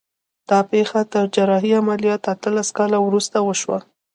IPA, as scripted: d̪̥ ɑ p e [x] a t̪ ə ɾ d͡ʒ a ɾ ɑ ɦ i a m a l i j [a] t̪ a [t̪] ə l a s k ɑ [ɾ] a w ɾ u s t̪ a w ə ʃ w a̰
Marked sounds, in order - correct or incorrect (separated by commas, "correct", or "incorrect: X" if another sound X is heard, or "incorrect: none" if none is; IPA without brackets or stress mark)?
correct, incorrect: ɑ, correct, incorrect: l